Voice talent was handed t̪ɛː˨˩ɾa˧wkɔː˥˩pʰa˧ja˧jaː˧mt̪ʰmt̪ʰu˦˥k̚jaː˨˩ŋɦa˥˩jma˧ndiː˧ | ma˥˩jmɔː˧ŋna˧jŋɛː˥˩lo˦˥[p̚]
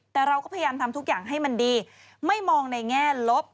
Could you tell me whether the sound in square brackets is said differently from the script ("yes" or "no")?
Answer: no